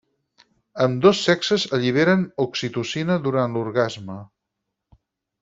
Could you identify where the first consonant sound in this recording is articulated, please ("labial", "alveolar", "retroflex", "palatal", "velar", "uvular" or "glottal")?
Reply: labial